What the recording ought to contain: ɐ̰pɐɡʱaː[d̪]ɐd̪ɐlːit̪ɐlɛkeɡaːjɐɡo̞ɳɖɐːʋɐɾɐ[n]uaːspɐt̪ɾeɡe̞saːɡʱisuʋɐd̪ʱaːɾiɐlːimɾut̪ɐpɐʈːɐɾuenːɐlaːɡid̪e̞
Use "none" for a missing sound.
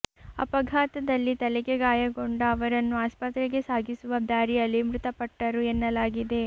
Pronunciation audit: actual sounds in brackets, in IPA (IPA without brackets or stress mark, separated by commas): t̪, nː